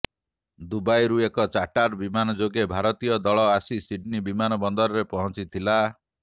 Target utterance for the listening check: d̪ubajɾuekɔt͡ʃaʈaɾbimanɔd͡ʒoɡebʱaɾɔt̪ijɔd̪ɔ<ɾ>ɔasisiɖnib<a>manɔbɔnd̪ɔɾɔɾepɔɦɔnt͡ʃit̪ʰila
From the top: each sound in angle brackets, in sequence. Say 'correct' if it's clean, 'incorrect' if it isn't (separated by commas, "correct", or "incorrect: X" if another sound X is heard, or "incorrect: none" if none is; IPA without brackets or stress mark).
incorrect: ɭ, incorrect: i